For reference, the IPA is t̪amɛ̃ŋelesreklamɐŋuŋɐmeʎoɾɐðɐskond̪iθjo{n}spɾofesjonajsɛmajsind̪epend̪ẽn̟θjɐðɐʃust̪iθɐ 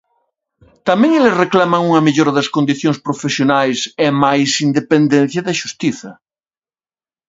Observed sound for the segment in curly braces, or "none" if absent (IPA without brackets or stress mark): ŋ